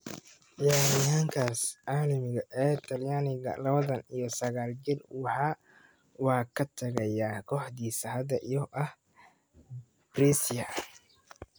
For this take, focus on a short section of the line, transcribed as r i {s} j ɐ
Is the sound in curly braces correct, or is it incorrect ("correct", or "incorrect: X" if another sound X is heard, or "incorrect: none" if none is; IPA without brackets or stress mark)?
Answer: correct